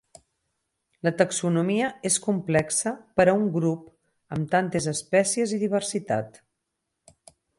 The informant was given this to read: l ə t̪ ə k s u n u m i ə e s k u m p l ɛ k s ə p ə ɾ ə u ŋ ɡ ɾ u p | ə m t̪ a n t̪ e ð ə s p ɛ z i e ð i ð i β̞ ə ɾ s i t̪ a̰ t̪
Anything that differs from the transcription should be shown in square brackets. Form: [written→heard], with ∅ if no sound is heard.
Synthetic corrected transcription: l ə t̪ ə k s u n u m i ə e s k u m p l ɛ k s ə p ə ɾ ə u ŋ ɡ ɾ u p | ə m t̪ a n t̪ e [ð→z] ə s p ɛ [z→s] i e [ð→z] i ð i β̞ ə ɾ s i t̪ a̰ t̪

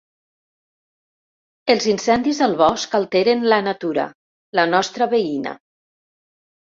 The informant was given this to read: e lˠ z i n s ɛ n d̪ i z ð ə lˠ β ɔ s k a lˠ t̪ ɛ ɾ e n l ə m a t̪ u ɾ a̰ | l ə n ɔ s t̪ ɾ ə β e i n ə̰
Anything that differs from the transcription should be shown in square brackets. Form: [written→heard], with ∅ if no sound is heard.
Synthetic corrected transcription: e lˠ z i n s ɛ n d̪ i z ð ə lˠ β ɔ s k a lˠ t̪ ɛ ɾ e n l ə [m→n] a t̪ u ɾ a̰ | l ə n ɔ s t̪ ɾ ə β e i n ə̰

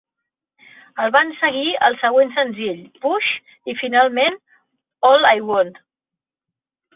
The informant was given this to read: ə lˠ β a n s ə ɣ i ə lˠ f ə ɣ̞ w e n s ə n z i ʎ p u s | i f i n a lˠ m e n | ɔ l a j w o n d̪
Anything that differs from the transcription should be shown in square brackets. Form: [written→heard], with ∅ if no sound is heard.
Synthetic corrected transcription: ə lˠ β a n s ə ɣ i ə lˠ [f→s] ə ɣ̞ w e n s ə n z i ʎ p u [s→ʃ] | i f i n a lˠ m e n | ɔ l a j w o n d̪

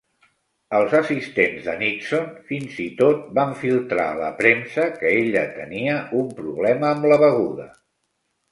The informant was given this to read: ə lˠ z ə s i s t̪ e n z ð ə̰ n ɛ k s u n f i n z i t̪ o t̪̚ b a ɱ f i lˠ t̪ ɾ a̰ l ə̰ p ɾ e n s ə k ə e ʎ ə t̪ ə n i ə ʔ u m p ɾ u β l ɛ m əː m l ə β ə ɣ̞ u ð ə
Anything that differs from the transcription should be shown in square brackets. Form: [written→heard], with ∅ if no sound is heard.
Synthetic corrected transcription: ə lˠ z ə s i s t̪ e n z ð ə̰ n [ɛ→i] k s [u→o] n f i n z i t̪ o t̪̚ b a ɱ f i lˠ t̪ ɾ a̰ l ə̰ p ɾ e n s ə k ə e ʎ ə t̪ ə n i ə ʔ u m p ɾ u β l ɛ m əː m l ə β ə ɣ̞ u ð ə

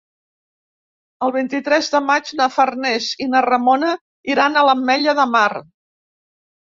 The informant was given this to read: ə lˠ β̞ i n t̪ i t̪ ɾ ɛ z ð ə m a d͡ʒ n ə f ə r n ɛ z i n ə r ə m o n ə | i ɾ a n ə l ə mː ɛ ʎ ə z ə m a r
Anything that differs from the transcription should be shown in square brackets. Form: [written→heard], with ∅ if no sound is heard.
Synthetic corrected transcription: ə lˠ β̞ i n t̪ i t̪ ɾ ɛ z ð ə m a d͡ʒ n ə f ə r n ɛ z i n ə r ə m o n ə | i ɾ a n ə l ə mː ɛ ʎ ə [z→ð] ə m a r

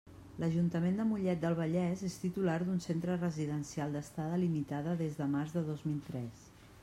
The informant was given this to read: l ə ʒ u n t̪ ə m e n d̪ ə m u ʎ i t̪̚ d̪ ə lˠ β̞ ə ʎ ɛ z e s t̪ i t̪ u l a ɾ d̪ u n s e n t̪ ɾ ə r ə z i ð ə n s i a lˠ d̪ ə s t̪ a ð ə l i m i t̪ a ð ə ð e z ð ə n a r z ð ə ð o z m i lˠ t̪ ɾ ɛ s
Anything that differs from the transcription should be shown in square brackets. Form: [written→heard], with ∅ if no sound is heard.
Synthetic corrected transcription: l ə ʒ u n t̪ ə m e n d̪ ə m u ʎ [i→ɛ] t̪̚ d̪ ə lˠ β̞ ə ʎ ɛ z e s t̪ i t̪ u l a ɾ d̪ u n s e n t̪ ɾ ə r ə z i ð ə n s i a lˠ d̪ ə s t̪ a ð ə l i m i t̪ a ð ə ð e z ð ə [n→m] a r z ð ə ð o z m i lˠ t̪ ɾ ɛ s

